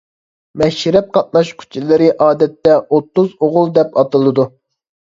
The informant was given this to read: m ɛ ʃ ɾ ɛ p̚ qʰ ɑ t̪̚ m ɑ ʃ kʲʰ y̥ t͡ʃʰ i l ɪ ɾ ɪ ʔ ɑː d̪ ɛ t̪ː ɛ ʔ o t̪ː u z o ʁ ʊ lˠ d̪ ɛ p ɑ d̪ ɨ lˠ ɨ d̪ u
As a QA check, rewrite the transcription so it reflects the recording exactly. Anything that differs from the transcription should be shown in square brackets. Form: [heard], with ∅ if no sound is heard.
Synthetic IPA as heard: m ɛ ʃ ɾ ɛ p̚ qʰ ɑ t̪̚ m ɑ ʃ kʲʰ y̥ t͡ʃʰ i l ɪ ɾ ɪ ʔ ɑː d̪ ɛ t̪ː ɛ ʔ o t̪ː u z o ʁ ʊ lˠ d̪ ɛ p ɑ [t̪] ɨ lˠ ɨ d̪ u